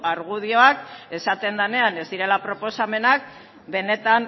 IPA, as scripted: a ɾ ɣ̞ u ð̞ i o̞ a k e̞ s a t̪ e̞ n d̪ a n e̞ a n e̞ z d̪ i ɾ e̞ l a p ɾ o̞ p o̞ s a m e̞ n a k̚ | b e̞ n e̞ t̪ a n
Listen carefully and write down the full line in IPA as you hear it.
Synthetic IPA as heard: a ɾ ɣ̞ u ð̞ i o̞ a k e̞ s a t̪ e̞ n d̪ a n e̞ a n e̞ z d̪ i ɾ e̞ l a p ɾ o̞ p o̞ s a m e̞ n a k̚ | b e̞ n e̞ t̪ a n

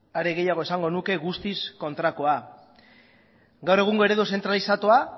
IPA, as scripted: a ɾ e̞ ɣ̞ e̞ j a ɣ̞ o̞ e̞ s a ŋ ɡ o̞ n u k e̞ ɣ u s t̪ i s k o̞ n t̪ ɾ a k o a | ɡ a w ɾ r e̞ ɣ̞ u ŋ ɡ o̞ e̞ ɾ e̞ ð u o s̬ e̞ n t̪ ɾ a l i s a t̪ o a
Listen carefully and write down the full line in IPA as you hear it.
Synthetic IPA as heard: a ɾ e̞ ɣ̞ e̞ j a ɣ̞ o̞ e̞ s a ŋ ɡ o̞ n u k e̞ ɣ u s t̪ i s k o̞ n t̪ ɾ a k o a | ɡ a w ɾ r e̞ ɣ̞ u ŋ ɡ o̞ e̞ ɾ e̞ ð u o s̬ e̞ n t̪ ɾ a l i s a t̪ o a

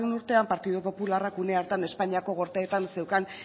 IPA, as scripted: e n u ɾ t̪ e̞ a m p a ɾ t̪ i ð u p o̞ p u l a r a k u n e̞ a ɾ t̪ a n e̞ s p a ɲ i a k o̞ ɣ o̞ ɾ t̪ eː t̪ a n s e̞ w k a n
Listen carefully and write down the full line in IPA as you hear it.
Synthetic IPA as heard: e n u ɾ t̪ e̞ a m p a ɾ t̪ i ð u p o̞ p u l a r a k u n e̞ a ɾ t̪ a n e̞ s p a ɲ i a k o̞ ɣ o̞ ɾ t̪ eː t̪ a n s e̞ w k a n

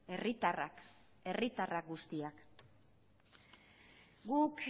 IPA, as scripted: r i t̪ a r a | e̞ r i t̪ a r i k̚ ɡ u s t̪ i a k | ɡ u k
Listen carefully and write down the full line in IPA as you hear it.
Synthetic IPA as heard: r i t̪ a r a | e̞ r i t̪ a r a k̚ ɡ u s t̪ i a k | ɡ u k

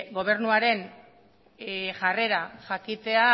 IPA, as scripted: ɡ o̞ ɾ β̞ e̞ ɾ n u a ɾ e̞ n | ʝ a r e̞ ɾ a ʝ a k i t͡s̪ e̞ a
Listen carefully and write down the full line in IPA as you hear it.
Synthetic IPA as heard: ɡ o̞ β̞ e̞ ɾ n u a ɾ e̞ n | ʝ a r e̞ ɾ a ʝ a k i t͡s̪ e̞ a

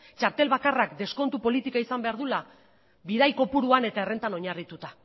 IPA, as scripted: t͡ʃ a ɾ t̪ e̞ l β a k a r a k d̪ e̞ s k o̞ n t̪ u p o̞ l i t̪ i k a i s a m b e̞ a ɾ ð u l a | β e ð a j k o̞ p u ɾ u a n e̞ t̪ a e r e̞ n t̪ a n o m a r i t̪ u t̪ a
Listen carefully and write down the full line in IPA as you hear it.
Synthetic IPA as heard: t͡ʃ a ɾ t̪ e̞ l β a k a r a k d̪ e̞ s k o̞ n t̪ u p o̞ l i t̪ i k a i s a m b e̞ a ɾ ð u l a | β i ð a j k o̞ p u ɾ u a n e̞ t̪ a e r e̞ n t̪ a n o ɲ a r i t̪ u t̪ a

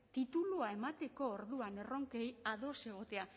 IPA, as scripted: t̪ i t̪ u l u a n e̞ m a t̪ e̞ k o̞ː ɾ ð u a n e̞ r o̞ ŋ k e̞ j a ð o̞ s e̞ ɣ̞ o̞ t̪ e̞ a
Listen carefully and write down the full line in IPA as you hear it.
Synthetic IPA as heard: t̪ i t̪ u l u a e̞ m a t̪ e̞ k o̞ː ɾ ð u a n e̞ r o̞ ŋ k e̞ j a ð o̞ s e̞ ɣ̞ o̞ t̪ e̞ a

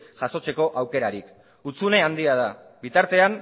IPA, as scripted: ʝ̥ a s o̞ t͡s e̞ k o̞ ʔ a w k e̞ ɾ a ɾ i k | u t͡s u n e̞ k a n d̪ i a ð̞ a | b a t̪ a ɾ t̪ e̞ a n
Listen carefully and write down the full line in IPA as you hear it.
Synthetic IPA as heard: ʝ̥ a s o̞ t͡s e̞ k o̞ ʔ a w k e̞ ɾ a ɾ i k | u t͡s u n e̞ a n d̪ i a ð̞ a | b i t̪ a ɾ t̪ e̞ a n

